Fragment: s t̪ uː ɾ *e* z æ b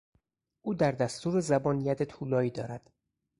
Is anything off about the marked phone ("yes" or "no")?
no